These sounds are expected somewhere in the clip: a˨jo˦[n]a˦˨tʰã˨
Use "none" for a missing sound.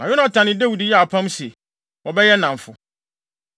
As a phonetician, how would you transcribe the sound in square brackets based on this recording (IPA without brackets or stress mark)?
n